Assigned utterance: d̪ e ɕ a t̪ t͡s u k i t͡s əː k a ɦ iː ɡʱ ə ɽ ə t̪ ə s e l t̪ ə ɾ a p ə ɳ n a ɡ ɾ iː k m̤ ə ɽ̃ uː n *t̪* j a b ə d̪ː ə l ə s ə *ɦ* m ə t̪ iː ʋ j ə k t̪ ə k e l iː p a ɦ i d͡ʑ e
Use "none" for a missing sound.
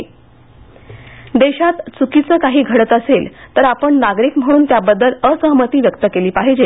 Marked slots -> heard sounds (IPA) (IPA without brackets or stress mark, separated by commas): t̪, ɦ